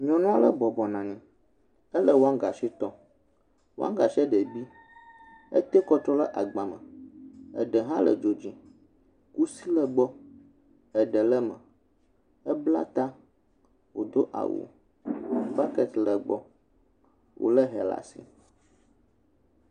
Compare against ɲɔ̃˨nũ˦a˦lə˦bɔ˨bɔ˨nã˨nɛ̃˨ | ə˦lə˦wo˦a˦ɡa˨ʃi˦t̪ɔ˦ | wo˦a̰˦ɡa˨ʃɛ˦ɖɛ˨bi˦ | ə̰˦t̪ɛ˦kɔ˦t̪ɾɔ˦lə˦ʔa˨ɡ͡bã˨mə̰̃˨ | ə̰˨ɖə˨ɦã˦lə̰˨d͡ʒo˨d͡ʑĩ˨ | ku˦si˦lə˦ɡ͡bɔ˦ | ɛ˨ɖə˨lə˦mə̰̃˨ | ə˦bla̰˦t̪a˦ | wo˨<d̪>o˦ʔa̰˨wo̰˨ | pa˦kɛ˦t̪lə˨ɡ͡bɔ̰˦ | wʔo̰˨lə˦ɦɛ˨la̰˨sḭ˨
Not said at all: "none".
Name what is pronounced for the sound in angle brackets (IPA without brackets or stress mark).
d̪